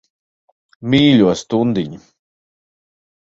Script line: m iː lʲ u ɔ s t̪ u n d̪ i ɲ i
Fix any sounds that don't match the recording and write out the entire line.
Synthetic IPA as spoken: m iː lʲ u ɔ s t̪ u n d̪ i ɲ i

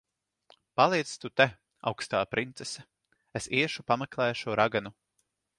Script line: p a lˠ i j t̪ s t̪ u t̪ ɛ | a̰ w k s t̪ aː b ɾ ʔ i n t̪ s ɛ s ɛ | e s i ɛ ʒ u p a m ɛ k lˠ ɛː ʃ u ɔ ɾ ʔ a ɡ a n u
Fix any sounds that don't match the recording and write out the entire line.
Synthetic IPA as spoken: p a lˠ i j t̪ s t̪ u t̪ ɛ | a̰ w k s t̪ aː p ɾ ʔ i n t̪ s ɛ s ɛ | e s i ɛ ʃ u p a m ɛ k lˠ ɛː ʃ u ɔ ɾ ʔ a ɡ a n u

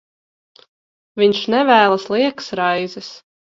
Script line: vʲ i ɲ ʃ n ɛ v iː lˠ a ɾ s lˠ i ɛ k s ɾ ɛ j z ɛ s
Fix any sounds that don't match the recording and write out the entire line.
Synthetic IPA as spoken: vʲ i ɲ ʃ n ɛ v æː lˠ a s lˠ i ɛ k s ɾ a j z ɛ s

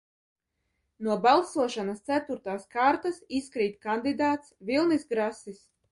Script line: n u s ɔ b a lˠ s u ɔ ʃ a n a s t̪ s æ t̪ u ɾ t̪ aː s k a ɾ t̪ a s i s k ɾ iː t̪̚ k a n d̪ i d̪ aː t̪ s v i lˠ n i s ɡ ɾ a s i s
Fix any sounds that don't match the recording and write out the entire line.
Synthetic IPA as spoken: n u ɔ b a lˠ s u ɔ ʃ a n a s t̪ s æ t̪ u ɾ t̪ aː s k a ɾ t̪ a s i s k ɾ iː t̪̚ k a n d̪ i d̪ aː t̪ s v i lˠ n i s ɡ ɾ a s i s

